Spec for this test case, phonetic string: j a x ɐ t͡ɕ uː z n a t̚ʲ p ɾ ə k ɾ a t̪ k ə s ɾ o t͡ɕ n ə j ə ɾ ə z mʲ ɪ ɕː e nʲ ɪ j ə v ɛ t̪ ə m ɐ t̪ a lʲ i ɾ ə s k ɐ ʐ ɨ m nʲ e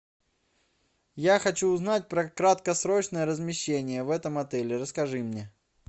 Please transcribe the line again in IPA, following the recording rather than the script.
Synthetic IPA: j a x ɐ t͡ɕ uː z n a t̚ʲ p ɾ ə k ɾ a t̪ k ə s ɾ o t͡ɕ n ə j ə ɾ ə z mʲ ɪ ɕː e nʲ ɪ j ə v ɛ t̪ ə m ɐ t̪ ɛ lʲ ɪ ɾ ə s k ɐ ʐ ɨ m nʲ e